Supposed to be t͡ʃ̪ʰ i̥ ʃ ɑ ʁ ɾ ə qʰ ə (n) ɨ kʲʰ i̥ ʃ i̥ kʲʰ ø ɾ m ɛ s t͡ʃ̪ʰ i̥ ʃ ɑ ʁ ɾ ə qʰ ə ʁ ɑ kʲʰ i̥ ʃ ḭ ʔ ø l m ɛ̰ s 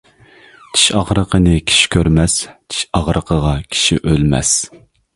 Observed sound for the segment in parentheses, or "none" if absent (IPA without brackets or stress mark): n